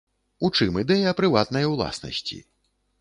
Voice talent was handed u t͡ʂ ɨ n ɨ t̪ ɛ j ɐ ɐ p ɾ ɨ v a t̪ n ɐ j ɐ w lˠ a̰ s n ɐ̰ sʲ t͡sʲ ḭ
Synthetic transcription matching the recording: u t͡ʂ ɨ m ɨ d̪ ɛ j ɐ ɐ p ɾ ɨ v a t̪ n ɐ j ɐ w lˠ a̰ s n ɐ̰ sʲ t͡sʲ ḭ

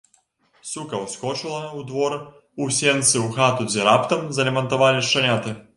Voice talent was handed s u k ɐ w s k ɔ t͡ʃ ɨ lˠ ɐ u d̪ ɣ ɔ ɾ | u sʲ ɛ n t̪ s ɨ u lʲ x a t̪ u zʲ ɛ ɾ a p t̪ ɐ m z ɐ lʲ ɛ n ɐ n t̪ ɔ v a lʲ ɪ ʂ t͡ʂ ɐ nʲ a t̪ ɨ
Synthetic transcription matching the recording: s u k ɐ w s k ɔ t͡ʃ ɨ lˠ ɐ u d̪ v ɔ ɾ | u sʲ ɛ n t̪ s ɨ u x a t̪ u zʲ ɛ ɾ a p t̪ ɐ m z ɐ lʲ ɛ m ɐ n t̪ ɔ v a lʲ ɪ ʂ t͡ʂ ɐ nʲ a t̪ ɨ

